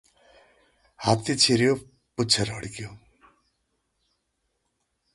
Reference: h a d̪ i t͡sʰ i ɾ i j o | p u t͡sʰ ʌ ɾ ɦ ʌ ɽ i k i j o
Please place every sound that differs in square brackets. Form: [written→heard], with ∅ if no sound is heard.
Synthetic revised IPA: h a [d̪→t̪] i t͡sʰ i ɾ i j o | p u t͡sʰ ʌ ɾ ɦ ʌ ɽ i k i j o